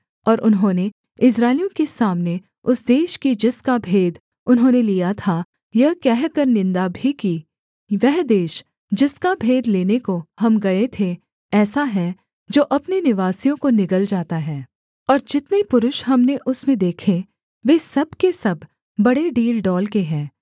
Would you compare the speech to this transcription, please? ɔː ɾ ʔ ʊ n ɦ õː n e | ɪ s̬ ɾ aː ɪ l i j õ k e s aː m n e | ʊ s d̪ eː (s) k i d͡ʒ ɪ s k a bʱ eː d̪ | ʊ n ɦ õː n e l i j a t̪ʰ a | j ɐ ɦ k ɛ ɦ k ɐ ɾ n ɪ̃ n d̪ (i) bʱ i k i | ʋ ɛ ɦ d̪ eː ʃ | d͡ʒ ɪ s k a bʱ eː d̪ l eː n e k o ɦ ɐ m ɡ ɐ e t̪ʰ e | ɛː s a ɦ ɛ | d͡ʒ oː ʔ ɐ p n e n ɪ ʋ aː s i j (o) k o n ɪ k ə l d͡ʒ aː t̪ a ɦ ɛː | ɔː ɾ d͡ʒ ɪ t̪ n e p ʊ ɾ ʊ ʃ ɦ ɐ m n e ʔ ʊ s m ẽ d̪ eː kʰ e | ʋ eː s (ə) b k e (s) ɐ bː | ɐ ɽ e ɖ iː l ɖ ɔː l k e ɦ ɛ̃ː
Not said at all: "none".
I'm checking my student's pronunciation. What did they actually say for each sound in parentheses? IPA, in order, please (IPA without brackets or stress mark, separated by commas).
ʃ, a, õ, ɐ, s